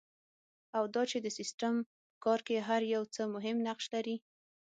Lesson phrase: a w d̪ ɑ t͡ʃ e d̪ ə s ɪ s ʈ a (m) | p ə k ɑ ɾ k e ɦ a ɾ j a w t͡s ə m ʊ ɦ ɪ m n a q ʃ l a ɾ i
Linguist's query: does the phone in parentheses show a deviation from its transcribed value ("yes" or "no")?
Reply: no